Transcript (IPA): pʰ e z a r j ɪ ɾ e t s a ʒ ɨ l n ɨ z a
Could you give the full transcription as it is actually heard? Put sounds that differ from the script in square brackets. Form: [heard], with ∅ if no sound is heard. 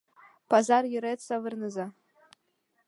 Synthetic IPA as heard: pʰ [a] z a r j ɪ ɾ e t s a [v] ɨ [r] n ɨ z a